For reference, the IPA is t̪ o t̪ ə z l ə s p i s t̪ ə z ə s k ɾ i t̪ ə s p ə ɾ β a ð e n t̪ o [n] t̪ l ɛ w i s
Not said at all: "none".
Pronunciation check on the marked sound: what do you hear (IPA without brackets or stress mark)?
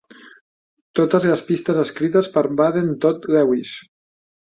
none